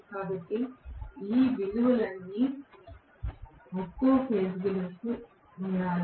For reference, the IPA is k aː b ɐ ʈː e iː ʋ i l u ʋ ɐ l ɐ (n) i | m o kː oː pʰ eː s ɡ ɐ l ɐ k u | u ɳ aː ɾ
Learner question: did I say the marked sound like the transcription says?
no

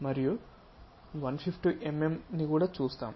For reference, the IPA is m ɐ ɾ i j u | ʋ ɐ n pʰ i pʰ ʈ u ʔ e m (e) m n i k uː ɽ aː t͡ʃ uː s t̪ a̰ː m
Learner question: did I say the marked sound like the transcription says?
yes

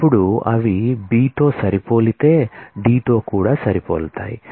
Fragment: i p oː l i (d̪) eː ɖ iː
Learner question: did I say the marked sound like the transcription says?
no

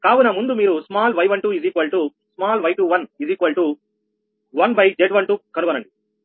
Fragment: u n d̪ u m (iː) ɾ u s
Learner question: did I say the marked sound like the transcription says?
yes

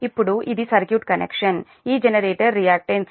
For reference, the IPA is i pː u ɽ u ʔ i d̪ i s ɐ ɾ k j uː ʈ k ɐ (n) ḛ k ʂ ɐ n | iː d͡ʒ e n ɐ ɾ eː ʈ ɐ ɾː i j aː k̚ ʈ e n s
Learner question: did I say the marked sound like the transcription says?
yes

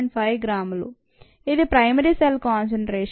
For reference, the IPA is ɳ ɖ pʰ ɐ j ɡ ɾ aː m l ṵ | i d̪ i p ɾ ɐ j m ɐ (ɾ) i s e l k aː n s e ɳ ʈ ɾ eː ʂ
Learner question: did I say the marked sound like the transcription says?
yes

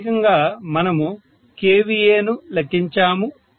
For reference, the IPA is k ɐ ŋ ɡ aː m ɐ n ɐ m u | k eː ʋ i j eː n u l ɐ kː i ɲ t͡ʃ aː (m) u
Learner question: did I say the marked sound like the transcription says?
yes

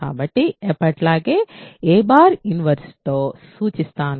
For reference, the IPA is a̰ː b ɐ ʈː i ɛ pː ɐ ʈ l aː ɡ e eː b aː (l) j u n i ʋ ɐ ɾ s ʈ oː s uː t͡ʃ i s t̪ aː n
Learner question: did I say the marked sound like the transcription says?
no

